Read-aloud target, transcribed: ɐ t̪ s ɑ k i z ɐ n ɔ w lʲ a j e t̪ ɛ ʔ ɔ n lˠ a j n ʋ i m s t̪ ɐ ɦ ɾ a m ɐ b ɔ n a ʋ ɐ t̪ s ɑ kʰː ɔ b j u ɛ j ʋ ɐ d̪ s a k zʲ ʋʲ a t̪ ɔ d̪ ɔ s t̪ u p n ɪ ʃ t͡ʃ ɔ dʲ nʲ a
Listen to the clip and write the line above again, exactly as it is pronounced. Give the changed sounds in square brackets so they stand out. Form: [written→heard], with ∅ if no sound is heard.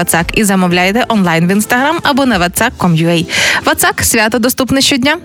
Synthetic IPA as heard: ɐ t̪ s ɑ k i z ɐ [n→m] ɔ w lʲ a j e t̪ ɛ ʔ ɔ n lˠ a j n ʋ i [m→n] s t̪ ɐ ɦ ɾ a m ɐ b ɔ n [a→ɐ] ʋ ɐ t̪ s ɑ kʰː ɔ [b→m] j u ɛ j ʋ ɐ [d̪→t̪] s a k [zʲ→sʲ] ʋʲ a t̪ ɔ d̪ ɔ s t̪ u p n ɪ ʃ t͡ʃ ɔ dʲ nʲ a